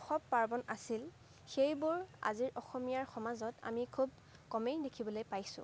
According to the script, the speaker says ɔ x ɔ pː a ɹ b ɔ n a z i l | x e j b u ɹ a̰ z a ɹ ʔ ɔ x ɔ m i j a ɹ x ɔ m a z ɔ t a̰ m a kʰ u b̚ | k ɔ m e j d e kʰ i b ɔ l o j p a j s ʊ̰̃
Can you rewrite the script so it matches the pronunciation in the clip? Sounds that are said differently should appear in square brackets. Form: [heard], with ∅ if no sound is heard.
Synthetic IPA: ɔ x ɔ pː a ɹ b ɔ n a [s] i l | x e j b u ɹ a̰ z [i] ɹ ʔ ɔ x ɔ m i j a ɹ x ɔ m a z ɔ t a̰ m [i] kʰ u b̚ | k ɔ m e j d e kʰ i b ɔ l o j p a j s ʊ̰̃